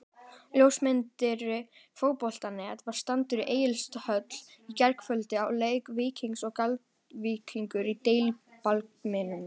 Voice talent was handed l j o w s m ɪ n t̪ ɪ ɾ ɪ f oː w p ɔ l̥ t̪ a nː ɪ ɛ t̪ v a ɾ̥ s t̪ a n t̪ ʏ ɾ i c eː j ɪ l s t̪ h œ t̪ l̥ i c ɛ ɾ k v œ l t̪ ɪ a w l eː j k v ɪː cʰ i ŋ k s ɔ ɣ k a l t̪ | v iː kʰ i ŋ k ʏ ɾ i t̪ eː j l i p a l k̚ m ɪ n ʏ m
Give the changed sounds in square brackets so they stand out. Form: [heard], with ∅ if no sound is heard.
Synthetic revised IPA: l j o w s m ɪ n t̪ ɪ ɾ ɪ f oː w p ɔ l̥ t̪ a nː ɪ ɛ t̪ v a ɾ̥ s t̪ a n t̪ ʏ ɾ i [ʔ] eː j ɪ l s t̪ h œ t̪ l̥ i c ɛ ɾ k [f] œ l t̪ ɪ a w l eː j k v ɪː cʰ i ŋ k s ɔ ɣ k a l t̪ | v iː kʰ i ŋ k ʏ ɾ i t̪ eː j l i p a l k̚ m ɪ n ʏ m